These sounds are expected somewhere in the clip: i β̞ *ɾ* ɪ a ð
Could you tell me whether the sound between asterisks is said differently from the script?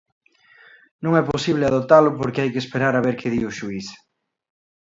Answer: yes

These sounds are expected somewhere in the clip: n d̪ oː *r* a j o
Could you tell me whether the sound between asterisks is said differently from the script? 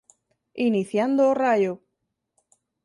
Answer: no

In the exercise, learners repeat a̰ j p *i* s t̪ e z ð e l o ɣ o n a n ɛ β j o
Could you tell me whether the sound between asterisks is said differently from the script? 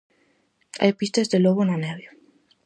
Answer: no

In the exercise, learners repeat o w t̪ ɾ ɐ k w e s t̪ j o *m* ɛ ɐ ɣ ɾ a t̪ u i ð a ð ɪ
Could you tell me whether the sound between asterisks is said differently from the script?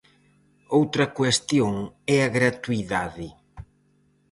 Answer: yes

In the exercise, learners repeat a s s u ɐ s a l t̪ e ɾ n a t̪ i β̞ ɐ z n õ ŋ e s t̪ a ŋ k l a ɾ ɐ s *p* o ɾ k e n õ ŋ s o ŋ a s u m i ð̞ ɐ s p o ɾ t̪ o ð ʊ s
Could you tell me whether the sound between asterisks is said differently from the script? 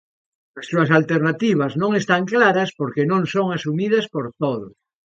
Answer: no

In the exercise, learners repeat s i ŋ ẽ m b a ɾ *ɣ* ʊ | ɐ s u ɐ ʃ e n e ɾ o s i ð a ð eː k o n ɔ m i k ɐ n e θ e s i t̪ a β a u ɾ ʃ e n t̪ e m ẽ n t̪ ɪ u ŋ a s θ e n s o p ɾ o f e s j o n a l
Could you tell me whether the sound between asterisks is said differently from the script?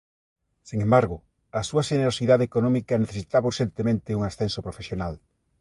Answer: no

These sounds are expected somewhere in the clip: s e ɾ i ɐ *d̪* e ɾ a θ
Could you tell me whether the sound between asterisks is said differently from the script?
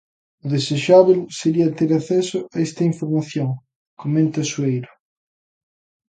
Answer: yes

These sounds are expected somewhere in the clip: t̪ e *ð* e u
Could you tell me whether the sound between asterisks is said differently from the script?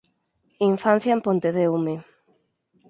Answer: no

